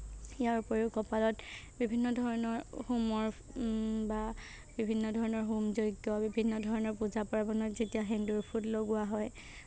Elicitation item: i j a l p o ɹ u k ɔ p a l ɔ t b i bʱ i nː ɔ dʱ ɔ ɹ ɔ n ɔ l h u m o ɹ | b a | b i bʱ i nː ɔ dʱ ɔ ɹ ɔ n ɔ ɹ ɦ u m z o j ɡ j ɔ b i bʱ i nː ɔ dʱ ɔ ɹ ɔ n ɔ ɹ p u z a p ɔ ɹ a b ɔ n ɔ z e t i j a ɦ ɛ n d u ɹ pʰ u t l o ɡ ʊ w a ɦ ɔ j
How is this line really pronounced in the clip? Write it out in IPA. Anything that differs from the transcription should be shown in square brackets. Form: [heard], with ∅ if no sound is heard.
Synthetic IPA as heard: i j a [ɹ] p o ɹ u k ɔ p a l ɔ t b i bʱ i nː ɔ dʱ ɔ ɹ ɔ n ɔ [ɹ] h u m [ɔ] ɹ | b a | b i bʱ i nː ɔ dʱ ɔ ɹ ɔ n ɔ ɹ ɦ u m z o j ɡ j ɔ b i bʱ i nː ɔ dʱ ɔ ɹ ɔ n ɔ ɹ p u z a p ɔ ɹ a b ɔ n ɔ z e t i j a ɦ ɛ n d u ɹ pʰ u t l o ɡ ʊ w a ɦ ɔ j